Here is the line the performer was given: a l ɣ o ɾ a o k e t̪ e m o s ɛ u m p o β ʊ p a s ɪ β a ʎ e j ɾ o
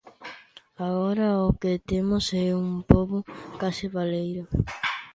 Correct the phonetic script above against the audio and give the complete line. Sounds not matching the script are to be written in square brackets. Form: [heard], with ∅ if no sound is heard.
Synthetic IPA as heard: a [∅] ɣ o ɾ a o k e t̪ e m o s ɛ u m p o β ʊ [k] a s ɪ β a [l] e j ɾ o